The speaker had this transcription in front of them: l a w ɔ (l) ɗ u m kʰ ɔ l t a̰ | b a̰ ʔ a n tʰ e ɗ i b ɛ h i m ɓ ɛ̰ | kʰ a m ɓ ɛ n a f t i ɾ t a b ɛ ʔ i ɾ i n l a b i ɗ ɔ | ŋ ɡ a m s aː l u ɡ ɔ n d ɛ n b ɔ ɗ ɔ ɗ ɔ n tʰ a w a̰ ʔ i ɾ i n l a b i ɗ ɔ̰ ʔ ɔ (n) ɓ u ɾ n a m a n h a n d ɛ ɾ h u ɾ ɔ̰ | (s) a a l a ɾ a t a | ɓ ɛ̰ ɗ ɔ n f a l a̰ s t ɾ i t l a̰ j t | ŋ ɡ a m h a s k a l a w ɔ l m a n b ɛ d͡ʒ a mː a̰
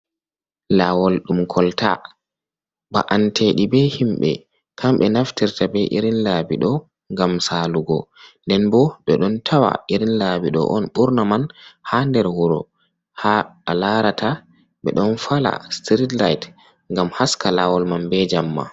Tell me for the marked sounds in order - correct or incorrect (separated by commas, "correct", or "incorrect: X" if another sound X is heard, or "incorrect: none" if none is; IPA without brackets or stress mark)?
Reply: correct, correct, incorrect: h